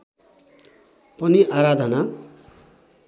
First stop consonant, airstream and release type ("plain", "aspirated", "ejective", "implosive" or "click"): plain